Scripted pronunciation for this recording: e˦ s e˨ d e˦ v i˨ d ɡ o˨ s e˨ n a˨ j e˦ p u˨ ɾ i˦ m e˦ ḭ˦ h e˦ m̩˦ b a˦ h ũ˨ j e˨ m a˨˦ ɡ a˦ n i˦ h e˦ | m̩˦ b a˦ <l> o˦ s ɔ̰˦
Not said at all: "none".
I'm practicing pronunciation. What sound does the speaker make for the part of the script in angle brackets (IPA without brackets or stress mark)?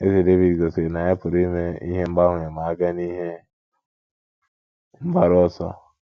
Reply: ɾ